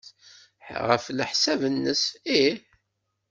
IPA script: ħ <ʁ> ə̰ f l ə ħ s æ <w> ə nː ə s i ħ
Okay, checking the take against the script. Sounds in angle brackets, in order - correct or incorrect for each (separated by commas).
correct, incorrect